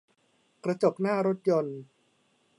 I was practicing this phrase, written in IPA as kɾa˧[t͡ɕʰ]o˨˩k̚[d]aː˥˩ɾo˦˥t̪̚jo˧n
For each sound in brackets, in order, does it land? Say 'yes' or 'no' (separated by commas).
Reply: no, no